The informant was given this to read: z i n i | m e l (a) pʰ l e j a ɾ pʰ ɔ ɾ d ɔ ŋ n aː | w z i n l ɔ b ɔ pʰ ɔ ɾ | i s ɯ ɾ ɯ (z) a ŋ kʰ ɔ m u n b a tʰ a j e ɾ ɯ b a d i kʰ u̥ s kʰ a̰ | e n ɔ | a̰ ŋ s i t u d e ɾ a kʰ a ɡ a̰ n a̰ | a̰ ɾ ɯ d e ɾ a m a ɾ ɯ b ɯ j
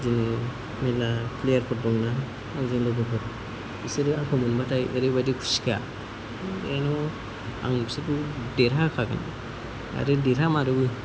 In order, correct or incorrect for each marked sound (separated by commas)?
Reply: correct, incorrect